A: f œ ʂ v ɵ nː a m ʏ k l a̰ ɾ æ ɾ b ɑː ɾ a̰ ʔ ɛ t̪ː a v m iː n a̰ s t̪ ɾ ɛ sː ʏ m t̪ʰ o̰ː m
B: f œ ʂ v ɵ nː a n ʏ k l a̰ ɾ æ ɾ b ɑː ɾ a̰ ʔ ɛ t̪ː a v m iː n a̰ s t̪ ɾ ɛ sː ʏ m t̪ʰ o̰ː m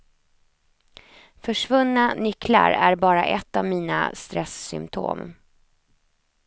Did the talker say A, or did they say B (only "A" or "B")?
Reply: B